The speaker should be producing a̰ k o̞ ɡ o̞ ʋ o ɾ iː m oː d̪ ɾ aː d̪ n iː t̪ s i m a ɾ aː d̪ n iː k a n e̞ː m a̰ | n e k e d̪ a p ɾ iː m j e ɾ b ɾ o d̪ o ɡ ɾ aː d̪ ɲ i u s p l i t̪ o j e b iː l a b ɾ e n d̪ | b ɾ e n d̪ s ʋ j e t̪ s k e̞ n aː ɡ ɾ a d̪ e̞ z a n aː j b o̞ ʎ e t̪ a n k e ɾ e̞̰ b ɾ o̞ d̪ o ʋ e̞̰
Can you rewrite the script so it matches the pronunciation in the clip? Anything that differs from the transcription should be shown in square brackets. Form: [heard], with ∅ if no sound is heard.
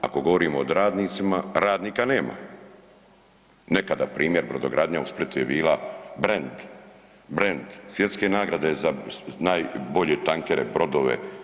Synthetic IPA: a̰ k o̞ ɡ o̞ ʋ o ɾ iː m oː d̪ ɾ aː d̪ n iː t̪ s i m a ɾ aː d̪ n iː k a n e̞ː m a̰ | n e k [a] d̪ a p ɾ iː m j e ɾ b ɾ o d̪ o ɡ ɾ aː d̪ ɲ [a] u s p l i t̪ [u] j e b iː l a b ɾ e n d̪ | b ɾ e n d̪ s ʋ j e t̪ s k e̞ n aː ɡ ɾ a d̪ e̞ z a n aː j b o̞ ʎ e t̪ a [ŋ] k e ɾ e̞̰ b ɾ o̞ d̪ o ʋ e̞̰